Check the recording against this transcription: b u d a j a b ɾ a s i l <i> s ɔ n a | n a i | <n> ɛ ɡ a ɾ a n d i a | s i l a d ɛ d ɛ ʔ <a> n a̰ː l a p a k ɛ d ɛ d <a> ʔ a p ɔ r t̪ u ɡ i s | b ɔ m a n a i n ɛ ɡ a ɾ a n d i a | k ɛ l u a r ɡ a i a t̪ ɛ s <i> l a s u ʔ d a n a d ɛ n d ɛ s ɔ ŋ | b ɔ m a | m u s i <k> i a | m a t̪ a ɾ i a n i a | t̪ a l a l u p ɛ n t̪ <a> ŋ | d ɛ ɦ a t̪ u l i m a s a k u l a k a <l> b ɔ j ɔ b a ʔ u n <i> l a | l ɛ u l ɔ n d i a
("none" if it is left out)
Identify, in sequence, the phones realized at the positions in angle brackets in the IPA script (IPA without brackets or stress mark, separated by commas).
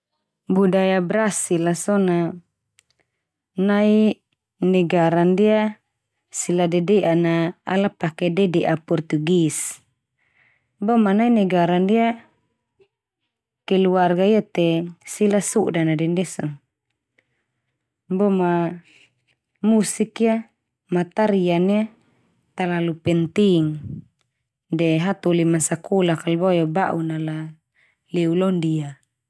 a, n, a, ɛ, i, k, i, l, a